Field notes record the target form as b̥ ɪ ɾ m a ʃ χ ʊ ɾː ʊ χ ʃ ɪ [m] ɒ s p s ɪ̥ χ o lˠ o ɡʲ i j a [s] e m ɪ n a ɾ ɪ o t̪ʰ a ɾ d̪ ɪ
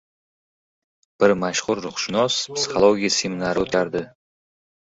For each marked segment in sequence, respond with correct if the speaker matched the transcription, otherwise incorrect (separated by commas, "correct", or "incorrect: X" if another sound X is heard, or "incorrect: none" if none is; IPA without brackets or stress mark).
incorrect: n, correct